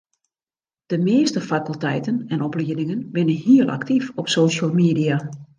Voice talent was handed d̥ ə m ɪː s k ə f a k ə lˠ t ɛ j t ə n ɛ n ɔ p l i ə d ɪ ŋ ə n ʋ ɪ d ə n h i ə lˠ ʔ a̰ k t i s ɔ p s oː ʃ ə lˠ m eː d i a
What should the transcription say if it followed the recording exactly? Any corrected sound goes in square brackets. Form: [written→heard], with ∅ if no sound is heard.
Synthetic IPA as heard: d̥ ə m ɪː s [k→t] ə f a k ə lˠ t ɛ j t ə n ɛ n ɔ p l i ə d ɪ ŋ ə n ʋ ɪ [d→n] ə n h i ə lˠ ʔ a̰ k t i [s→f] ɔ p s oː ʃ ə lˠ m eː d i a